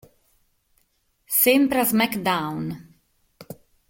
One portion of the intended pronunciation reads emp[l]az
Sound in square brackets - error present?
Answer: yes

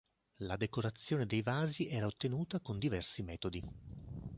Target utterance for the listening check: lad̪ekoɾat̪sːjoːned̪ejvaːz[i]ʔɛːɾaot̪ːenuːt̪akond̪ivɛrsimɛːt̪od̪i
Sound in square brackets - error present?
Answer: no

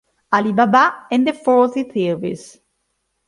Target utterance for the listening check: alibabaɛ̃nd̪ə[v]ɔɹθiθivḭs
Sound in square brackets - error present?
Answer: yes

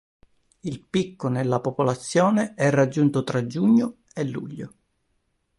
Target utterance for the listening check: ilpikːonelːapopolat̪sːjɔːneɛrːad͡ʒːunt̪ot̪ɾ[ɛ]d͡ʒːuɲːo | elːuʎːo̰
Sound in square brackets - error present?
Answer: yes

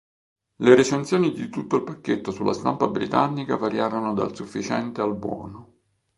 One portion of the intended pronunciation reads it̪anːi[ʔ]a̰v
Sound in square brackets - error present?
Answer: yes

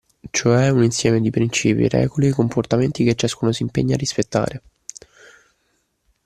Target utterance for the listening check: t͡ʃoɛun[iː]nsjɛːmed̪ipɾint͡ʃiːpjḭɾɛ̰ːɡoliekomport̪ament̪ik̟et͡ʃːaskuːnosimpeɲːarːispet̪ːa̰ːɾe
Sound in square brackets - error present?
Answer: yes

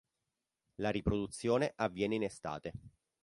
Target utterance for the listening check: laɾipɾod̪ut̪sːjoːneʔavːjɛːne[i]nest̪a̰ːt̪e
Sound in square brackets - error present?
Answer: no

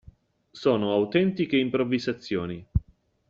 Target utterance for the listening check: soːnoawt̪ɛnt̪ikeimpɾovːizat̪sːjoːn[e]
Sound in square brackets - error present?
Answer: yes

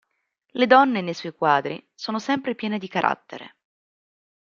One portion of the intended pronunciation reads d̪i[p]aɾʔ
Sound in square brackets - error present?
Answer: yes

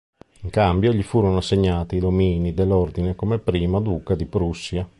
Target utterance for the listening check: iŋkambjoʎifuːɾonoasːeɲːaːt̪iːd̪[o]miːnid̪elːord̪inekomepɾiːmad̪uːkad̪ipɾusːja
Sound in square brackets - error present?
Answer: no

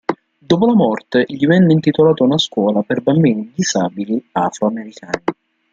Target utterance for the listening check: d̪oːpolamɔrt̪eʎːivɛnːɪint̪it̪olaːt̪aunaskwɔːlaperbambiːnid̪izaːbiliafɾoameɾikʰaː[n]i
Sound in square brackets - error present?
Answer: no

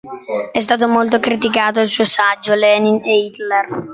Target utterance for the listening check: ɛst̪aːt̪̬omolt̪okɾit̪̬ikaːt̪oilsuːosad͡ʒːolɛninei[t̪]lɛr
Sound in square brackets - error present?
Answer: no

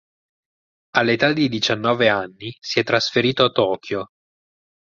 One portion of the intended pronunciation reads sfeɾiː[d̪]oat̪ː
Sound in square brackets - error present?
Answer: yes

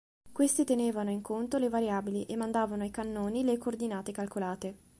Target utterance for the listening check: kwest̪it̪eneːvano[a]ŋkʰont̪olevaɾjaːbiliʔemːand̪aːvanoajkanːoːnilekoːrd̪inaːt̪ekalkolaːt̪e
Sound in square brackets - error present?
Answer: yes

